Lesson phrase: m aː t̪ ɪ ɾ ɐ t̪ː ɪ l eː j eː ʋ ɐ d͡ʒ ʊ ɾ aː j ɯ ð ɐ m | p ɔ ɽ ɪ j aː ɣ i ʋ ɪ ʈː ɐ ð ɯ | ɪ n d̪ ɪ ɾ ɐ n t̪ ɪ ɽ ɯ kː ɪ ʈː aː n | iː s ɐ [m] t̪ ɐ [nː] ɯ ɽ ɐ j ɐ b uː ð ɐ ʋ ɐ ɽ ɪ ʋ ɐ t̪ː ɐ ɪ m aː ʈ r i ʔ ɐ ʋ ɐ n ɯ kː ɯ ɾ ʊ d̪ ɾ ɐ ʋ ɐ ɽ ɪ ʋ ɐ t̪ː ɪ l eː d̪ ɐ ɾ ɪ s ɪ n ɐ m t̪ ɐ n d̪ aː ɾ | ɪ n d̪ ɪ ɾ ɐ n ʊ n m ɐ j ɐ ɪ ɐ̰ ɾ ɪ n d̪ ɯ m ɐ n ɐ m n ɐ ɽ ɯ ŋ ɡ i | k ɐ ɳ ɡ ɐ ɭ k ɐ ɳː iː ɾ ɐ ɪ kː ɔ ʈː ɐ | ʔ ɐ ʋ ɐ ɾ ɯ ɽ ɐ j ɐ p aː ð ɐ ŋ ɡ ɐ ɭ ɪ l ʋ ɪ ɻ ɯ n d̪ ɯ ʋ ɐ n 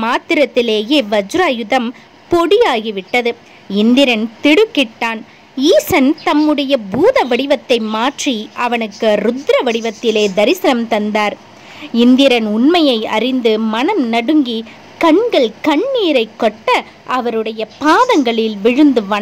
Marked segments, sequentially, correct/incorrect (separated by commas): incorrect, incorrect